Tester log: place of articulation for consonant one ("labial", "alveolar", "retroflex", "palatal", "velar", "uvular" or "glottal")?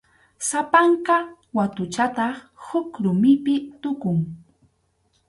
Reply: alveolar